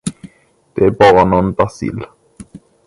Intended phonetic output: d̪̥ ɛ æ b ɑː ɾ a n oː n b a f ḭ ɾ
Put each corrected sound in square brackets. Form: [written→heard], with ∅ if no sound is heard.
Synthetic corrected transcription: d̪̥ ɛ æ b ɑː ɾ a n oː n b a [f→s] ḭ [ɾ→l]